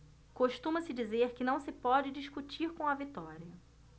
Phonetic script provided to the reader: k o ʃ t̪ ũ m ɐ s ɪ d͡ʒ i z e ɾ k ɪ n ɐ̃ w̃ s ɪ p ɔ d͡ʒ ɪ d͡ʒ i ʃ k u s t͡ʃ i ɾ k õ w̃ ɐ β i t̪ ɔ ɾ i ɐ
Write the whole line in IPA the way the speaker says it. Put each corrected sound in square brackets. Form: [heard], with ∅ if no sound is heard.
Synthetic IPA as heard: k o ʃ t̪ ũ m ɐ s ɪ d͡ʒ i z e ɾ k ɪ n ɐ̃ w̃ s ɪ p ɔ d͡ʒ ɪ d͡ʒ i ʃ k u [∅] t͡ʃ i ɾ k õ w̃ ɐ [v] i t̪ ɔ ɾ i ɐ

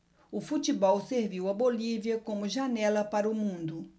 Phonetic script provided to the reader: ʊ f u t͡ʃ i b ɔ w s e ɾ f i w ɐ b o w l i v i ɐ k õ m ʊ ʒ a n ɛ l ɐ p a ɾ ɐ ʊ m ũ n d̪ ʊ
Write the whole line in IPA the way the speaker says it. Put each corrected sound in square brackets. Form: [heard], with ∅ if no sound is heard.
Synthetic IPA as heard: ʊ f u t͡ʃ i b ɔ w s e ɾ [v] i w ɐ b o [∅] l i v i ɐ k õ m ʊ ʒ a n ɛ l ɐ p a ɾ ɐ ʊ m ũ n d̪ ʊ

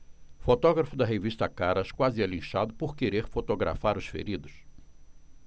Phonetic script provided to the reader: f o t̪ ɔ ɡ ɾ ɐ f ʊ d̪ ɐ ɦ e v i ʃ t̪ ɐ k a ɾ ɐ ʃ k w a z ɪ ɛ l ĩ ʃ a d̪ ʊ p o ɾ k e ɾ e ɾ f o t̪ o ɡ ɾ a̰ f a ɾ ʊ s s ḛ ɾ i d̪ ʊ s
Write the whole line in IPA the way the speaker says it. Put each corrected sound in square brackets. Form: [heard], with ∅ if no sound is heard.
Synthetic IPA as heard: f o t̪ ɔ ɡ ɾ ɐ f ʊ d̪ ɐ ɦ e v i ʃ t̪ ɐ k a ɾ ɐ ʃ k w a z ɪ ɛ l ĩ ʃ a d̪ ʊ p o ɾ k e ɾ e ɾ f o t̪ o ɡ ɾ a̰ f a ɾ ʊ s [f] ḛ ɾ i d̪ ʊ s

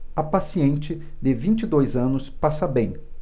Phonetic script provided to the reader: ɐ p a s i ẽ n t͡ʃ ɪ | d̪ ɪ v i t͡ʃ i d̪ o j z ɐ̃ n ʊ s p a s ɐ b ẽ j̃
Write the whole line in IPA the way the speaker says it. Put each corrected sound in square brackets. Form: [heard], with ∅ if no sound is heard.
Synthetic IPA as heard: ɐ p a s i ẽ n t͡ʃ ɪ | d̪ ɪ v [ĩ] t͡ʃ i d̪ o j z ɐ̃ n ʊ s p a s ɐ b ẽ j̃

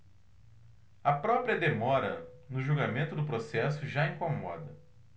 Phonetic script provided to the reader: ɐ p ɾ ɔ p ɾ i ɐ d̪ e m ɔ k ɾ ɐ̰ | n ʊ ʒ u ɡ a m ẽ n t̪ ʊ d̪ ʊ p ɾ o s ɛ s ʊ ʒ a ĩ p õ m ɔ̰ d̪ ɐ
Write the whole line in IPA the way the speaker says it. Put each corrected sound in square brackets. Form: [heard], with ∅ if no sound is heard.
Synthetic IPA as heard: ɐ p ɾ ɔ p ɾ i ɐ d̪ e m ɔ [∅] ɾ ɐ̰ | n ʊ ʒ u ɡ a m ẽ n t̪ ʊ d̪ ʊ p ɾ o s ɛ s ʊ ʒ a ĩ [k] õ m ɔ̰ d̪ ɐ

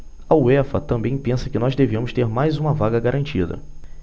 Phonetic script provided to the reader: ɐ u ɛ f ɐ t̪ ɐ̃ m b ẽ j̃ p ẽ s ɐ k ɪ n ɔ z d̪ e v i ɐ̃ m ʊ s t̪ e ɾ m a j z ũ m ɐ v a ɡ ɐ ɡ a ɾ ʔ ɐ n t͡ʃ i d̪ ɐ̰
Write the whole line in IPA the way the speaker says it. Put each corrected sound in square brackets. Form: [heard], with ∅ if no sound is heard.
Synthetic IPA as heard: ɐ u ɛ f ɐ t̪ ɐ̃ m b ẽ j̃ p ẽ s ɐ k ɪ n ɔ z d̪ e v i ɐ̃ m ʊ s t̪ e ɾ m a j z ũ m ɐ v a ɡ ɐ ɡ a ɾ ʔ [ɐ̃] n t͡ʃ i d̪ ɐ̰

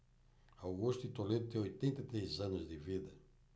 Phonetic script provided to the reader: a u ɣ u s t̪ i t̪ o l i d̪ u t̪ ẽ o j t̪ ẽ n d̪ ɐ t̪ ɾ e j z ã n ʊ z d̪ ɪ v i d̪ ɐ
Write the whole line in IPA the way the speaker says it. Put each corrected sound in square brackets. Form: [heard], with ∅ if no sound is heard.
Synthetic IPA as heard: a [w] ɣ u s t̪ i t̪ o l [e] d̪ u t̪ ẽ o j t̪ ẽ n [t̪] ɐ t̪ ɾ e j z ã n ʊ z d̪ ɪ v i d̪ ɐ

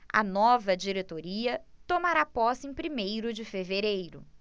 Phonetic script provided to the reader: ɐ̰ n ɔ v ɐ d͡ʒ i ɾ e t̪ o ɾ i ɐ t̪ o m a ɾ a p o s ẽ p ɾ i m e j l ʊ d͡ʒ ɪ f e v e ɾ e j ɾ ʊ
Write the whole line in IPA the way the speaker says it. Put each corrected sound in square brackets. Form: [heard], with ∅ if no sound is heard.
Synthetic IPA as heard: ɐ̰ n ɔ v ɐ d͡ʒ i ɾ e t̪ o ɾ i ɐ t̪ o m a ɾ a p [ɔ] s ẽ p ɾ i m e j [ɾ] ʊ d͡ʒ ɪ f e v e ɾ e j ɾ ʊ

